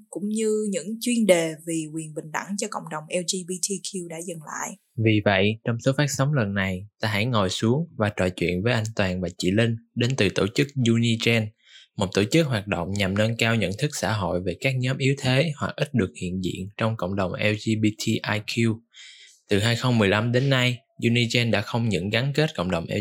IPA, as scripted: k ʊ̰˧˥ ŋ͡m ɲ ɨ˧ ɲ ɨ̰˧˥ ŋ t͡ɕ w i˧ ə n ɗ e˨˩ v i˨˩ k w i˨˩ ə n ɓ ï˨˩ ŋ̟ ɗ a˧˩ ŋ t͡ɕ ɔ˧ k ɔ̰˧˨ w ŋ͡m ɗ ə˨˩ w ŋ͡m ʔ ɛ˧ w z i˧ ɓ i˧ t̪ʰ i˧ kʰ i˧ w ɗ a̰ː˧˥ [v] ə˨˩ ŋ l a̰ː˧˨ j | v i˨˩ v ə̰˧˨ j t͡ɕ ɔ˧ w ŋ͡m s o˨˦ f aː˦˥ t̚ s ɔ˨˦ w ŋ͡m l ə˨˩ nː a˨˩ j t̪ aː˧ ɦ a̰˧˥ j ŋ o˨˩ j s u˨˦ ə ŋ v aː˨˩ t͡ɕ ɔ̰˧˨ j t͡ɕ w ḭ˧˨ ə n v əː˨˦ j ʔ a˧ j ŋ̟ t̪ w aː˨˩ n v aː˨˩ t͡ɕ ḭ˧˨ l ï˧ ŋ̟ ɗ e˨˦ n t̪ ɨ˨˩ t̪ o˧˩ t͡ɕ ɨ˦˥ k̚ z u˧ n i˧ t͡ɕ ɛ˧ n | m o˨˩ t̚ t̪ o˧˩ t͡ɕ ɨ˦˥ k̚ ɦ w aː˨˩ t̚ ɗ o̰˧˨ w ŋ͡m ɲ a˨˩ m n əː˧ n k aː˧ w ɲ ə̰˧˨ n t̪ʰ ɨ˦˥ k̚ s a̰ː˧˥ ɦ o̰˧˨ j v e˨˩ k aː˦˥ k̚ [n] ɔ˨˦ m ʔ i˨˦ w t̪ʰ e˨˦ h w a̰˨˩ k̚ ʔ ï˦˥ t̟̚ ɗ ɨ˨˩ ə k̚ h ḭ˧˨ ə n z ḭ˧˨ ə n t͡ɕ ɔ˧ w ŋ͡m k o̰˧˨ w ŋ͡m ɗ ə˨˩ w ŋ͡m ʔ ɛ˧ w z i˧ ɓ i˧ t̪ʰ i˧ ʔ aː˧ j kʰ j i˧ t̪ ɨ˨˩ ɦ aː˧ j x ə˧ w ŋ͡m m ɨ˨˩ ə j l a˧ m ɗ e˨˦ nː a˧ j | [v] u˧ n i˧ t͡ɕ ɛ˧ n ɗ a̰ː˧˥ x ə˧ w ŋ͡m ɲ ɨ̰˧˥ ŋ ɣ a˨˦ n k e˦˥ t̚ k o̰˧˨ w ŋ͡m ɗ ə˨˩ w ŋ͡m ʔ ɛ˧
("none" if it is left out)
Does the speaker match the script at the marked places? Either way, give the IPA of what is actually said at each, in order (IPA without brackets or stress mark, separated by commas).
z, ɲ, z